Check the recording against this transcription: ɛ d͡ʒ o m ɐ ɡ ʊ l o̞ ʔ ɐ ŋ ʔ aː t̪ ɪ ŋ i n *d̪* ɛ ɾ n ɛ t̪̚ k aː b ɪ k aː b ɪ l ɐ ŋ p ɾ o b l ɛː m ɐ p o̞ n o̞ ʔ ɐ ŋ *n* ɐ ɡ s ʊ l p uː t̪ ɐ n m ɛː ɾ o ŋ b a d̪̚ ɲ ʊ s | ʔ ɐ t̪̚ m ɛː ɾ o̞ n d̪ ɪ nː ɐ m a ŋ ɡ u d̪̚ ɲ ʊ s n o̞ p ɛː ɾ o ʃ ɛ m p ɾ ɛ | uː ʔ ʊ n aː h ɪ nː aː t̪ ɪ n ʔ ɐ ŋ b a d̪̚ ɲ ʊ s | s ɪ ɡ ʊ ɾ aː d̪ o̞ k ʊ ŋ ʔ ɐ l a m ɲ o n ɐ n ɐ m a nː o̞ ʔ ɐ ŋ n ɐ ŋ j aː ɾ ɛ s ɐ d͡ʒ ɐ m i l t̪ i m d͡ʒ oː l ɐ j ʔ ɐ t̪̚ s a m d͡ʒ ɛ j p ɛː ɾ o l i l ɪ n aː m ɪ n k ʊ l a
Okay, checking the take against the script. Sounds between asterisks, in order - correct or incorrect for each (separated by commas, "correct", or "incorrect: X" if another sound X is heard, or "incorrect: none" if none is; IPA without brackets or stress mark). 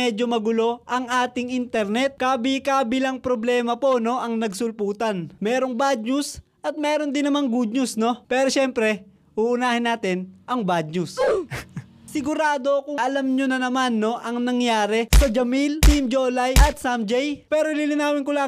incorrect: t̪, correct